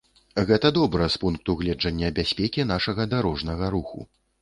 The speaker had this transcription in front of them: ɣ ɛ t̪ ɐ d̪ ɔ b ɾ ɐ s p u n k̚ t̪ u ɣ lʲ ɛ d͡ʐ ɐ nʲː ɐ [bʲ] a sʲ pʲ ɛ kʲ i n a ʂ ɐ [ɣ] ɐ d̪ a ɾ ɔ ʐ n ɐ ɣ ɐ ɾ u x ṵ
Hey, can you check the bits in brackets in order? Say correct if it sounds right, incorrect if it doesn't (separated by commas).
correct, correct